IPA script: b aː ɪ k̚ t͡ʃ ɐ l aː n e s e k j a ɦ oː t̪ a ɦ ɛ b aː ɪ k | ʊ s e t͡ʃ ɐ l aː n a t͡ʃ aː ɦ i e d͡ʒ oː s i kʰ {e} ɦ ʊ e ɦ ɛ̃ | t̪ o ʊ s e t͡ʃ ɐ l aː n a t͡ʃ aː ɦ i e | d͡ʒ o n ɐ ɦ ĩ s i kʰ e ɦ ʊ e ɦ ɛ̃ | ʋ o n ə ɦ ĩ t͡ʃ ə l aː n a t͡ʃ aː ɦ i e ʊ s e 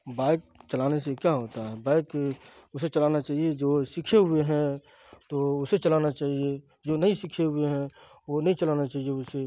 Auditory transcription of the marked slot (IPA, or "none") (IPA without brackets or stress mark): e